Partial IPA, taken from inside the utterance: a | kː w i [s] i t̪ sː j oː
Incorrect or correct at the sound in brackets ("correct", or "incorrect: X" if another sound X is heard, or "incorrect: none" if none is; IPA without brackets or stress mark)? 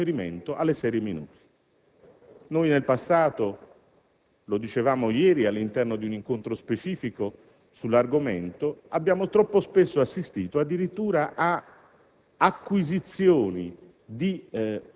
incorrect: z